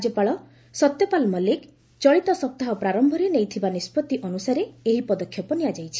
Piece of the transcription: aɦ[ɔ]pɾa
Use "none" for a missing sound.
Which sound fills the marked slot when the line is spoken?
ɔ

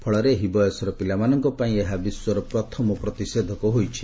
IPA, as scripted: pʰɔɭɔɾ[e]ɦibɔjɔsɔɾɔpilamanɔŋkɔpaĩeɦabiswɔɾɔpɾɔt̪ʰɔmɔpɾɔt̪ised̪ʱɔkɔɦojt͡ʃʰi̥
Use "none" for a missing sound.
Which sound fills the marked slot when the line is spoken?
e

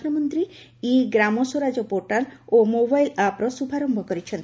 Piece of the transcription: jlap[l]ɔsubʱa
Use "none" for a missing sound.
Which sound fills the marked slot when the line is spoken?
ɾ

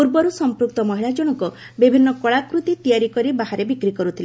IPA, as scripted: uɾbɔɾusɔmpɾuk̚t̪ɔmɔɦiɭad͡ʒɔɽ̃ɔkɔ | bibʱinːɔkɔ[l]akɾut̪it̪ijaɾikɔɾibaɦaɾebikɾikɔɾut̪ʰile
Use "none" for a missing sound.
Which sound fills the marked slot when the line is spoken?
ɭ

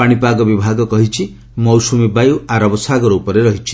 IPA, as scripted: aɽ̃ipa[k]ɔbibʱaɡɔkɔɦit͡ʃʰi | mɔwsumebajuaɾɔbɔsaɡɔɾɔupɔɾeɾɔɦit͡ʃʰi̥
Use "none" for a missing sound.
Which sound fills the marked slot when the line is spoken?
ɡ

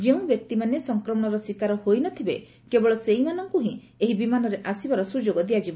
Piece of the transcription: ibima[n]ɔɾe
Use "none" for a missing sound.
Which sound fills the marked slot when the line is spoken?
n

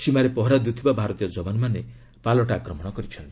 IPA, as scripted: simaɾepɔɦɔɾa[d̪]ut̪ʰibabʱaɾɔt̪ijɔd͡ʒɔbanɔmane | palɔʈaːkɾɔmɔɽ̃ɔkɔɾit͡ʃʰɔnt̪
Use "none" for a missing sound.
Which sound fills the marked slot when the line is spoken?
d̪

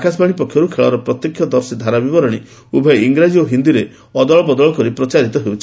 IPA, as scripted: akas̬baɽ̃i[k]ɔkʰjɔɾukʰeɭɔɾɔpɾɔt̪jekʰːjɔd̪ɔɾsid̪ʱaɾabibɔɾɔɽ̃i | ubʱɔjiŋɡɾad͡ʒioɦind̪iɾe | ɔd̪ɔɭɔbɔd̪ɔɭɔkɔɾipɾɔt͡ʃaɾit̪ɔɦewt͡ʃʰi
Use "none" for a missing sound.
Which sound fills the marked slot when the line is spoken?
p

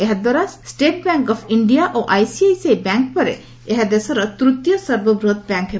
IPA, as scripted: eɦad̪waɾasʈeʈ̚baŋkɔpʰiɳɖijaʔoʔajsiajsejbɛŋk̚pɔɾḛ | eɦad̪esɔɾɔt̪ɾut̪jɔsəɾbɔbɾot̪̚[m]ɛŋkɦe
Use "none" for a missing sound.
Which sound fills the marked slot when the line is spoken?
b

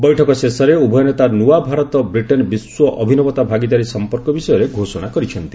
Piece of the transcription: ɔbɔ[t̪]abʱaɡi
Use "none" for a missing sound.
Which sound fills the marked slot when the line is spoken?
t̪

